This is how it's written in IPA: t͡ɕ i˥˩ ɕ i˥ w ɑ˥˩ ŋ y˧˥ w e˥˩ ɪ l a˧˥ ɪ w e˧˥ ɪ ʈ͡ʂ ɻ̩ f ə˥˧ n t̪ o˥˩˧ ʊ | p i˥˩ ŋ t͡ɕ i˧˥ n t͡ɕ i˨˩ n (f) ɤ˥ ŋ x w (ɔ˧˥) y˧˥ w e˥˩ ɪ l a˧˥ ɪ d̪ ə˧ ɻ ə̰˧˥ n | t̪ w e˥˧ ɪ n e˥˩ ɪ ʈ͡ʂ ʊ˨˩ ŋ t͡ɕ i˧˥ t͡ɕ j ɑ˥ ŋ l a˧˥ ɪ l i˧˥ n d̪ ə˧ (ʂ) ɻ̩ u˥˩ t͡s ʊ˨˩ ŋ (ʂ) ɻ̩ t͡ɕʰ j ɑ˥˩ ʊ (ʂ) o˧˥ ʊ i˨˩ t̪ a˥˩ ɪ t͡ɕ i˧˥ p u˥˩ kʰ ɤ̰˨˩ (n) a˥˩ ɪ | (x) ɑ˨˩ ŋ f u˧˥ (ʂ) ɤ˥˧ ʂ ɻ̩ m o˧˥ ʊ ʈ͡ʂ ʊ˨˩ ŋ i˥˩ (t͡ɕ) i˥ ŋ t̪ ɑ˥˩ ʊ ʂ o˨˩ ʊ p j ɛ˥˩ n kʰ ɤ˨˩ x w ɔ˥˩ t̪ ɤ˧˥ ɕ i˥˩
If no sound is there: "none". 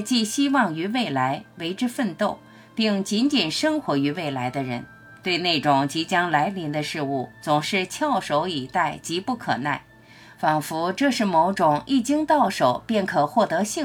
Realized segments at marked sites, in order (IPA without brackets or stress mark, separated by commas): ʂ, ɔ˧˥, ʂ, ʂ, ʂ, n, f, ʈ͡ʂ, t͡ɕ